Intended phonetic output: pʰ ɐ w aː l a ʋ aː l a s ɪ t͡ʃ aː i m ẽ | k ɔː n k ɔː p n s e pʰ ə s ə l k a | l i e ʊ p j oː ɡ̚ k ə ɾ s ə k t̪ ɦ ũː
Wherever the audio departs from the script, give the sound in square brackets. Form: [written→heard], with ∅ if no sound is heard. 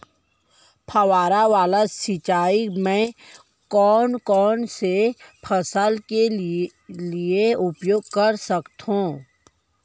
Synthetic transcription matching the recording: pʰ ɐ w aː [l→ɾ] a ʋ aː l a s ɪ t͡ʃ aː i m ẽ | k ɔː n k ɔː [p→∅] n s e pʰ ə s ə l k [a→e] | l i e ʊ p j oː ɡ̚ k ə ɾ s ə k t̪ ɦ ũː